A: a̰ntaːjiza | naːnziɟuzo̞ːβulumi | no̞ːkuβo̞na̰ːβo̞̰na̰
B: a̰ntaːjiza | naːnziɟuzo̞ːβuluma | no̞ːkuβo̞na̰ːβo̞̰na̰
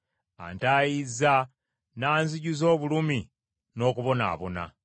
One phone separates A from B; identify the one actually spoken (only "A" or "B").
A